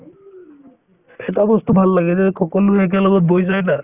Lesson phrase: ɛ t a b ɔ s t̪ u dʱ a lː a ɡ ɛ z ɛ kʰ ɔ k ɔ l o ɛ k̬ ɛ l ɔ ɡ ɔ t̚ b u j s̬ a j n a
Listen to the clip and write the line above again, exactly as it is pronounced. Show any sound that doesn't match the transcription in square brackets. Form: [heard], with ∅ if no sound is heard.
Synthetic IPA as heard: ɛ t a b ɔ s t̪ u [bʱ] a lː a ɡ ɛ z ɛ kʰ ɔ k ɔ l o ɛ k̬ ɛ l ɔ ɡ ɔ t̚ b [o] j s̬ a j n a

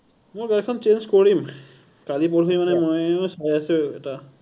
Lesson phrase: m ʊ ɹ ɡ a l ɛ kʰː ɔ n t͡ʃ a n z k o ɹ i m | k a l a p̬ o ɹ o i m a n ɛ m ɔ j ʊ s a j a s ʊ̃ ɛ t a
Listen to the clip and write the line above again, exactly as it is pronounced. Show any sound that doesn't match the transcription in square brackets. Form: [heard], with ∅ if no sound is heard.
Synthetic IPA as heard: m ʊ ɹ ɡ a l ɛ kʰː ɔ n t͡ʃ [e] n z k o ɹ i m | k a l [i] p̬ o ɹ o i m a n ɛ m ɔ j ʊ s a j a s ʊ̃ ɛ t a

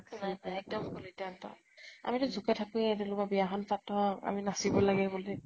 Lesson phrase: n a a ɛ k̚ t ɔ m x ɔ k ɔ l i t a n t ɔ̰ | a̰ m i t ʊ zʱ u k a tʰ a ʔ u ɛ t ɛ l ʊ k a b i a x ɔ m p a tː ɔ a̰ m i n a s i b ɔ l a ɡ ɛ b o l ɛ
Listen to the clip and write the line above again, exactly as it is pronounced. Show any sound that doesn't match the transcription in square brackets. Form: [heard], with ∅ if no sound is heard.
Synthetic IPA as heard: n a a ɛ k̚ [d] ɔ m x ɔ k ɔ l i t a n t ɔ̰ | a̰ m i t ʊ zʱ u k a tʰ a [k] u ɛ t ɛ l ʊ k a b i a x ɔ [n] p a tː ɔ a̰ m i n a s i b ɔ l a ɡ ɛ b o l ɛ

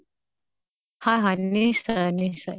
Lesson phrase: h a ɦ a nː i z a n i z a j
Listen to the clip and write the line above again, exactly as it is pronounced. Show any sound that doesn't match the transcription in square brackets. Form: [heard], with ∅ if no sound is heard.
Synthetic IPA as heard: h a ɦ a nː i [s] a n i [s] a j

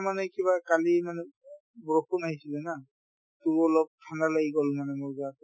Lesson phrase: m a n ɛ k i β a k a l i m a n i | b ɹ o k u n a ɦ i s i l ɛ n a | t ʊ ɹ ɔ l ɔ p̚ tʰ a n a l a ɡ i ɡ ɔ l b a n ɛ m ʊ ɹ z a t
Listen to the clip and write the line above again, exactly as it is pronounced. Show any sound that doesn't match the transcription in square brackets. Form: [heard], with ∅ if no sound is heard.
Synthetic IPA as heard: m a n ɛ k i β a k a l i m a n [ɛ] | b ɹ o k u n a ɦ i s i l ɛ n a | t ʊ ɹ ɔ l ɔ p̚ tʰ a n a l a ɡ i ɡ ɔ l [m] a n ɛ m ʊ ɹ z a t

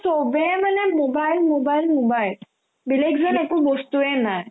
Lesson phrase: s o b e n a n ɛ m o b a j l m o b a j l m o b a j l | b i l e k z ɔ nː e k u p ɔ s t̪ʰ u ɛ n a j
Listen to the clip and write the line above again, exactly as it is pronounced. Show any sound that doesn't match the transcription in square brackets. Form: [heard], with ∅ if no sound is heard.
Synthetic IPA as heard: s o b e [m] a n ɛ m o b a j l m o b a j l m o b a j l | b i l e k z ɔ [n] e k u [b] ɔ s [t̪] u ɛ n a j

